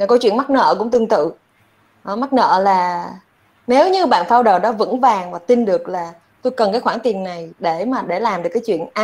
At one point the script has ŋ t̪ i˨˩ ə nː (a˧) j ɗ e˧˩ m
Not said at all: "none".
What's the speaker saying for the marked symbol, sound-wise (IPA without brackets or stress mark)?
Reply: a˨˩